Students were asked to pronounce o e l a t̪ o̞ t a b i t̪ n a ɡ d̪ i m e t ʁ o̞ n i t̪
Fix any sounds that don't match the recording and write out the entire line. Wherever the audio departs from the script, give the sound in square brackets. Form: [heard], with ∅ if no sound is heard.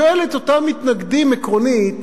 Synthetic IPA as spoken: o e l [e] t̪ o̞ t a [m] i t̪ n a ɡ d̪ i m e [k] ʁ o̞ n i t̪